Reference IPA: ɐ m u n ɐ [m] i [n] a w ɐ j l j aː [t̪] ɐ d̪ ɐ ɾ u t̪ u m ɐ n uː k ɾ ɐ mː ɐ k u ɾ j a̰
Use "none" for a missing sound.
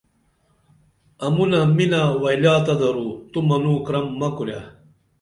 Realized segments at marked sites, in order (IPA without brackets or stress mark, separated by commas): m, n, t̪